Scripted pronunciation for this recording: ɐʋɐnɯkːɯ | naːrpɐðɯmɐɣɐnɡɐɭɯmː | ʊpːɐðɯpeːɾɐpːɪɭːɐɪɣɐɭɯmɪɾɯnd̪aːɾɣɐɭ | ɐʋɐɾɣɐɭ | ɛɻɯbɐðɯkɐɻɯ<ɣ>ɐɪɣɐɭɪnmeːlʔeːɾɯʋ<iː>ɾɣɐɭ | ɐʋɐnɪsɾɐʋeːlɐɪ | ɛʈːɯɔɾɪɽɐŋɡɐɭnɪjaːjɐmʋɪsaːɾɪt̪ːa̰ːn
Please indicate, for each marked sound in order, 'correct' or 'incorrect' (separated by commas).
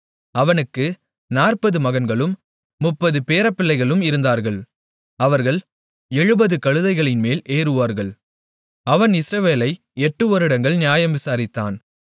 incorrect, incorrect